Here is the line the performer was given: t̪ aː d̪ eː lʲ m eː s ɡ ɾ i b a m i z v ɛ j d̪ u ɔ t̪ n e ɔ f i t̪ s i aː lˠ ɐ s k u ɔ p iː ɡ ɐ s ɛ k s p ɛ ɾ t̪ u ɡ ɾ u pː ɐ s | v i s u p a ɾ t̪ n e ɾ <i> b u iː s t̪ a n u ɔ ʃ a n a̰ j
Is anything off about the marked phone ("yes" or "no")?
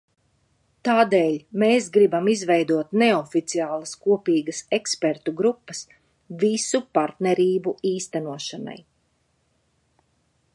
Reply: yes